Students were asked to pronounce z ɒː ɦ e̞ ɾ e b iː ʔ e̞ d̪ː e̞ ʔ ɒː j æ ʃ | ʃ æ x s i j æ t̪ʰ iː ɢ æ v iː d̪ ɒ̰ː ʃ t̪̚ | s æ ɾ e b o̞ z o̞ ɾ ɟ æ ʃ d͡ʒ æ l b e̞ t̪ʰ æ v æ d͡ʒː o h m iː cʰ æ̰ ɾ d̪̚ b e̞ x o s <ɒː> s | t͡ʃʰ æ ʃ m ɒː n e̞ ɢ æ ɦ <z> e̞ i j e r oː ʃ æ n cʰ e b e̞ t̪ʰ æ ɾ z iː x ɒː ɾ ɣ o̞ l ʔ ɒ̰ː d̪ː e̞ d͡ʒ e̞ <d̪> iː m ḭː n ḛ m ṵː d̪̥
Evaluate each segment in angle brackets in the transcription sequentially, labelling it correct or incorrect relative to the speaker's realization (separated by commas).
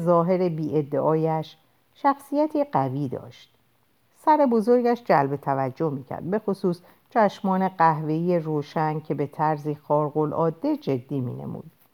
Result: incorrect, incorrect, incorrect